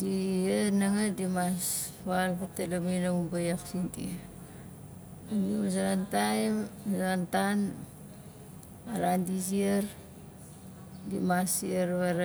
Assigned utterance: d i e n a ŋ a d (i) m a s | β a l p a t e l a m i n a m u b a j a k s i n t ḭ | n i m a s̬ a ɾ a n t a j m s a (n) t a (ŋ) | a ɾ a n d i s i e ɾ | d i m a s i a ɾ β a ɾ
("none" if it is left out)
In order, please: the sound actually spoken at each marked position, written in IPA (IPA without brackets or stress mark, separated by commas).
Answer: i, n, n